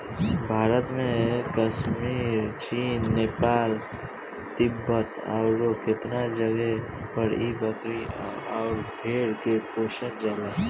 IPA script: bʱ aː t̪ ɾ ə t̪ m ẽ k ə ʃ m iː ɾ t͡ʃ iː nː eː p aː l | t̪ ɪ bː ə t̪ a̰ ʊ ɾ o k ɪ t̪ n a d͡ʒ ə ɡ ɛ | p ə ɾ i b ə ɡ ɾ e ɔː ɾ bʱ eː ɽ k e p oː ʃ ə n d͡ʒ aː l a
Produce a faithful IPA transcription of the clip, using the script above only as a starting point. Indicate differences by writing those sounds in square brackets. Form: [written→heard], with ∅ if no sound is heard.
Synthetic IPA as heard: bʱ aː [t̪→∅] ɾ ə t̪ m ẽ k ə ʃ m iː ɾ t͡ʃ iː nː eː p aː l | t̪ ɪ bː ə t̪ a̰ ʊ ɾ o k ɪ t̪ n a d͡ʒ ə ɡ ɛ | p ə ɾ i b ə [ɡ→k] ɾ [e→i] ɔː ɾ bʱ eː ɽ k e p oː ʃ ə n d͡ʒ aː l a